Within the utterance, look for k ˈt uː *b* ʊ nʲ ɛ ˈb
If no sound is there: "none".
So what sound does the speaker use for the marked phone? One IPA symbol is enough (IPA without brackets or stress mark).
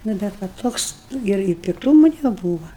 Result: m